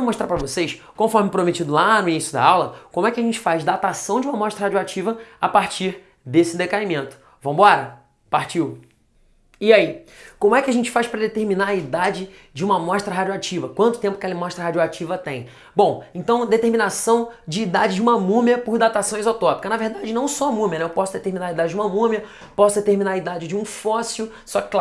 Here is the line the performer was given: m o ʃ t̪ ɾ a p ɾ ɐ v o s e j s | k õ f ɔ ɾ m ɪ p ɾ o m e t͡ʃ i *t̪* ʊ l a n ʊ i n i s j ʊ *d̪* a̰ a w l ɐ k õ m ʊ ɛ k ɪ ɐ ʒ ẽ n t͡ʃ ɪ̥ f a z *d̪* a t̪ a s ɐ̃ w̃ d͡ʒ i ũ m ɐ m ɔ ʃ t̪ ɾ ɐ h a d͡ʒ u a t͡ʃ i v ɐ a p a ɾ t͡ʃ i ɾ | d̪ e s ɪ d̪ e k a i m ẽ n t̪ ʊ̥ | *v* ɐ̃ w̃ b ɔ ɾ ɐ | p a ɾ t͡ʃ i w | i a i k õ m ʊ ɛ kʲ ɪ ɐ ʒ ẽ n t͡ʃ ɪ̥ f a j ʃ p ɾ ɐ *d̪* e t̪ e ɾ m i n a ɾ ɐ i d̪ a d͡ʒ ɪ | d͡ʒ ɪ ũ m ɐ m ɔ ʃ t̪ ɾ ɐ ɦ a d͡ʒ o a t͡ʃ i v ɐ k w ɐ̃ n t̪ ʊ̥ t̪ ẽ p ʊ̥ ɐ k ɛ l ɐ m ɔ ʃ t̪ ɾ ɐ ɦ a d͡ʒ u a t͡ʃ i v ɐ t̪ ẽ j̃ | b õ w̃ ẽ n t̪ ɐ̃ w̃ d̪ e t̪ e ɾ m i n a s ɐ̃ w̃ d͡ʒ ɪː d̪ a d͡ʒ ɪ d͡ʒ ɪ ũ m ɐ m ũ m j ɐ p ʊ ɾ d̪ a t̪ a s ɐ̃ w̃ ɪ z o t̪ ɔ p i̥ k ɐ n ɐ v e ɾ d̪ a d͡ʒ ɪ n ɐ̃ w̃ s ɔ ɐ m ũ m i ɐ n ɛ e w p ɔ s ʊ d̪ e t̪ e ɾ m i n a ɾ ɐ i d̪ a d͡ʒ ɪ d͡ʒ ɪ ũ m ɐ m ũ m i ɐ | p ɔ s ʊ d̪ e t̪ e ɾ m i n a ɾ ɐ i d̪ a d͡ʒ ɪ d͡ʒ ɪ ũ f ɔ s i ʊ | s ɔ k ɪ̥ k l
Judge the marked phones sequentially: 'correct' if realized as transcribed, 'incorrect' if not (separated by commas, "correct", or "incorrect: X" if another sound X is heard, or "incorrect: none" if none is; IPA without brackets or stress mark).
incorrect: d̪, correct, correct, correct, correct